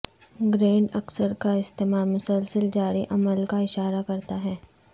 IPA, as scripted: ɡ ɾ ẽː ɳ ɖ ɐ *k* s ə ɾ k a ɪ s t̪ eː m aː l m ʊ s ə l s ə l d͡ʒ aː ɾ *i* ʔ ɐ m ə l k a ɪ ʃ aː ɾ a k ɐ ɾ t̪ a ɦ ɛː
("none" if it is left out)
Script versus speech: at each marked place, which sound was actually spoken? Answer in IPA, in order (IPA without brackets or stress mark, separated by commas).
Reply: k, i